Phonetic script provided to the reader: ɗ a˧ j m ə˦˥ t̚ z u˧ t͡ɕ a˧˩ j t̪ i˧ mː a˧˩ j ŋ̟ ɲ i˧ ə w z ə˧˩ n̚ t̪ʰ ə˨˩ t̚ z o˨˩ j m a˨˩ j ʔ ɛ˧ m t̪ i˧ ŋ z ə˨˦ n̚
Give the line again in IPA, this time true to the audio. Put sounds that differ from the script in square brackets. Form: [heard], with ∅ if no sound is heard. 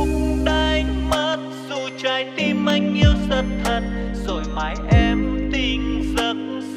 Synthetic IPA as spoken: ɗ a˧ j m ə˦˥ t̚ z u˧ t͡ɕ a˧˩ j t̪ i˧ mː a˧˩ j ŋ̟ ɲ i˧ ə w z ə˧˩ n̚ t̪ʰ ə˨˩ t̚ z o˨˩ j m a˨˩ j ʔ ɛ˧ m t̪ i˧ ŋ z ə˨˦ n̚